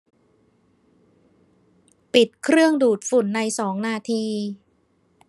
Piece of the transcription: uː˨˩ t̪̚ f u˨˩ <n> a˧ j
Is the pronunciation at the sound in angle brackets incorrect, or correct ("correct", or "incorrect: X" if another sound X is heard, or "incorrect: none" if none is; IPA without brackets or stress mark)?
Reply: incorrect: nː